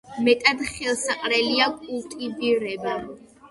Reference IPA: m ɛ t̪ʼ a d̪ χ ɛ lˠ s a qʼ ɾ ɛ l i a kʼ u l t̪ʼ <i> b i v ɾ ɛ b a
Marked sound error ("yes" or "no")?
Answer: no